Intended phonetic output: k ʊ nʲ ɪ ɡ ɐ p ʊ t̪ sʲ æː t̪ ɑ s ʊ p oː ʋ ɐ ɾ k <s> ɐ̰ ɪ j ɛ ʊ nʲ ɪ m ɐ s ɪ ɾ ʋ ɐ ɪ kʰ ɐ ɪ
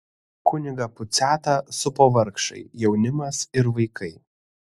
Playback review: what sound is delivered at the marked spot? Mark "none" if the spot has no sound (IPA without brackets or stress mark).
ʃ